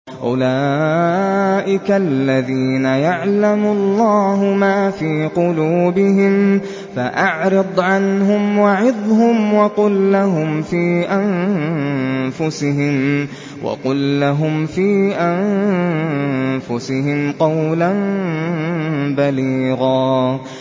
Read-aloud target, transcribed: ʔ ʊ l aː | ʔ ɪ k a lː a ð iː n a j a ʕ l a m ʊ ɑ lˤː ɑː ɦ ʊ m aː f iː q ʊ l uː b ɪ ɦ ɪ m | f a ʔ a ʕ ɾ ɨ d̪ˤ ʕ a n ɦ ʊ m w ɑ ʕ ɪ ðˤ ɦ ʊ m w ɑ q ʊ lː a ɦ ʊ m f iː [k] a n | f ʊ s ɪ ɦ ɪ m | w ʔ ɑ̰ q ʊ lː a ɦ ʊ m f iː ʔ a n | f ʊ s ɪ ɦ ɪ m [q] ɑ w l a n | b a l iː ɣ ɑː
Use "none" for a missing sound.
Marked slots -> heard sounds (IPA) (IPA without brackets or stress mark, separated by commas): ʔ, q